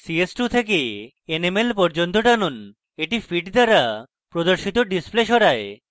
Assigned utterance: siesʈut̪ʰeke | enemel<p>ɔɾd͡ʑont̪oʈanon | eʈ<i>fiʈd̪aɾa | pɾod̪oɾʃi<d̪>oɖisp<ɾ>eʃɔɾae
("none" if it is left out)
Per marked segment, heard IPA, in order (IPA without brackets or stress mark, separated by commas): p, i, t̪, l